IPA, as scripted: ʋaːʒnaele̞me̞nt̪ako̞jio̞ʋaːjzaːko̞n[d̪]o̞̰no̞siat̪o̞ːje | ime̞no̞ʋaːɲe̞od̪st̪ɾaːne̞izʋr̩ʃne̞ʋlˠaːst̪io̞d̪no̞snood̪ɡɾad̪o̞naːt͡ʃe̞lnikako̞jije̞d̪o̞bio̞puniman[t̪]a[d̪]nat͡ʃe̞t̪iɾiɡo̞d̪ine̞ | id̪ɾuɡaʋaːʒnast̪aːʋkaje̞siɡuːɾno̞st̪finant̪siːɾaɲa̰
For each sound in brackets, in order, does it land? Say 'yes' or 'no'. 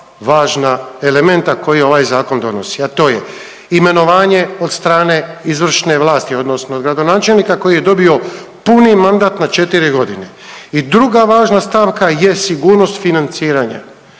yes, no, no

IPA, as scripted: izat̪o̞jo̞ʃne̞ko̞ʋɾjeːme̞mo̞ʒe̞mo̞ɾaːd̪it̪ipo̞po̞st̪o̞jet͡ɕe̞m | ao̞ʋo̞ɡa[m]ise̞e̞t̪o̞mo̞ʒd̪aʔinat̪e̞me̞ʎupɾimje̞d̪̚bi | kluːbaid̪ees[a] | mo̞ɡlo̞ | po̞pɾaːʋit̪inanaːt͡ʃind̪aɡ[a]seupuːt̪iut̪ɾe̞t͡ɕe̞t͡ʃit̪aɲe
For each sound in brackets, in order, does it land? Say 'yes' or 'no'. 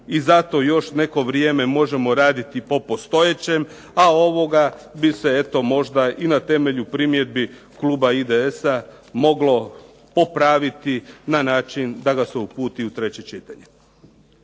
no, yes, yes

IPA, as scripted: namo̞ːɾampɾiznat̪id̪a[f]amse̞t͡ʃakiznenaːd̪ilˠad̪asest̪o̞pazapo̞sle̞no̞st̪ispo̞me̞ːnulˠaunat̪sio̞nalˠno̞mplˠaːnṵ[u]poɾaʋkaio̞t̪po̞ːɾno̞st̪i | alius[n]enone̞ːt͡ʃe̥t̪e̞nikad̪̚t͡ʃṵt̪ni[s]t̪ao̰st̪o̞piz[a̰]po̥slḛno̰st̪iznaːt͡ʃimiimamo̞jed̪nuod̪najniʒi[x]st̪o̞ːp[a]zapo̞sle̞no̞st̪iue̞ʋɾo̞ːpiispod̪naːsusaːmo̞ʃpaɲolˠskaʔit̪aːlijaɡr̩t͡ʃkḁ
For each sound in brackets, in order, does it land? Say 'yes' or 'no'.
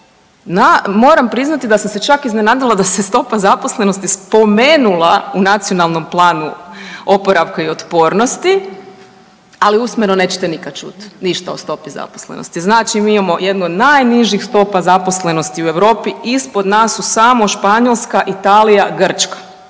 no, no, no, no, yes, yes, yes

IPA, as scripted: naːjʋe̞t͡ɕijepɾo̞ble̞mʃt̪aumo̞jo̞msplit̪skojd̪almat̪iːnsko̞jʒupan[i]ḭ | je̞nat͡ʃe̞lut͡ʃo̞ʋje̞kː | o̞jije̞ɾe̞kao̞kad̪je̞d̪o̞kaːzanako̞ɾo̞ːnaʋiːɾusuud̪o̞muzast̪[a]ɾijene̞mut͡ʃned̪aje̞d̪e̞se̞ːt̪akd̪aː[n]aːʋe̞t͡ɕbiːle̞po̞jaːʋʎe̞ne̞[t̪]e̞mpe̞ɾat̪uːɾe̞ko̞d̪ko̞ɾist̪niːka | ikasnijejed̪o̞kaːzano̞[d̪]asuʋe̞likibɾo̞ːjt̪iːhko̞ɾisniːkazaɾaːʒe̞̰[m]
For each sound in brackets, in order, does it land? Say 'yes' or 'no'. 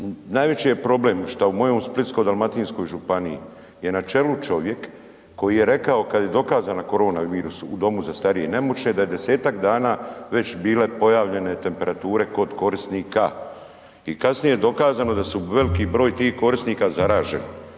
yes, yes, yes, yes, yes, no

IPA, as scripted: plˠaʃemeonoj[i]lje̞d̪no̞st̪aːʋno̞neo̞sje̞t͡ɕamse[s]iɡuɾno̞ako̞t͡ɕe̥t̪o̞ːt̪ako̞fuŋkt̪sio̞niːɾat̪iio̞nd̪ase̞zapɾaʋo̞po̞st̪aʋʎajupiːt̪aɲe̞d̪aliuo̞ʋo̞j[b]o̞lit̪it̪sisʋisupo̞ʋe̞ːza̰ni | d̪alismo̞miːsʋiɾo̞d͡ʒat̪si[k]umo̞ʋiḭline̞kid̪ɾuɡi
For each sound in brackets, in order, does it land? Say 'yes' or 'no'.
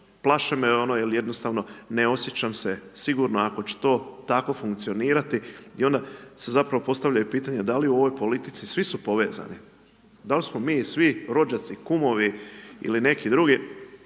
no, yes, no, yes

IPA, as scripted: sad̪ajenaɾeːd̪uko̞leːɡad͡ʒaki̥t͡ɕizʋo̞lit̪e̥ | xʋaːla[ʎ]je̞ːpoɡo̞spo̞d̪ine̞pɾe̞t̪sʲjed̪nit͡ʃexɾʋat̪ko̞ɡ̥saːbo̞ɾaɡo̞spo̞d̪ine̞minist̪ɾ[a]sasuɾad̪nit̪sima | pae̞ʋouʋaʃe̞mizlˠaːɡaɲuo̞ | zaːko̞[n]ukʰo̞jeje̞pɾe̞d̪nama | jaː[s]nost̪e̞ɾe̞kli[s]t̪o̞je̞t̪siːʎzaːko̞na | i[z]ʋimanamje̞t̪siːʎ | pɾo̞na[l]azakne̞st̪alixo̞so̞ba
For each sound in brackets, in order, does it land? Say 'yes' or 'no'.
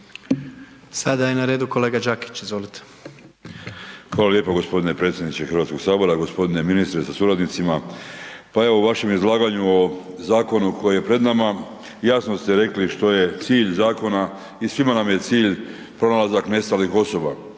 no, no, yes, yes, no, no, yes

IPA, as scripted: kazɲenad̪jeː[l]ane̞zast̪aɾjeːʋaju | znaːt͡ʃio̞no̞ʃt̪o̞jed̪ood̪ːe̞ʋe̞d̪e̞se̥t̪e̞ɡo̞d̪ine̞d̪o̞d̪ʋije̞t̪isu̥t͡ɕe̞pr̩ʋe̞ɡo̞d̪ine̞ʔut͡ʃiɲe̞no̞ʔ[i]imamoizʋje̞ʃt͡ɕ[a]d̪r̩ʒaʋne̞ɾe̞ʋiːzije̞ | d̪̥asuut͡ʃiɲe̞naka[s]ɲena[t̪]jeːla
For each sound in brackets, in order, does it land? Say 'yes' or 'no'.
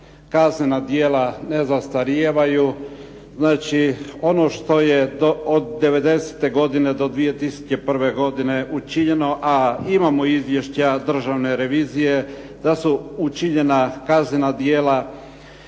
yes, no, yes, no, no

